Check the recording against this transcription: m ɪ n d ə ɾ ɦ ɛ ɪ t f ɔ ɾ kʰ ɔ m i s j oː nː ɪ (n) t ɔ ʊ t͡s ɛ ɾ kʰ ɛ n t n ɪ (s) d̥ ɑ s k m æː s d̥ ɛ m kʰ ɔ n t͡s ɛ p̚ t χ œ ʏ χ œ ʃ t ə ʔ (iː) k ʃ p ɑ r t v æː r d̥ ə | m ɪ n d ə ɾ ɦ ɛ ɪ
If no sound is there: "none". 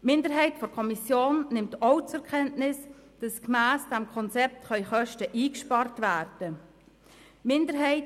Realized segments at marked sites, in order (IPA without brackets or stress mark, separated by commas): m, s, iː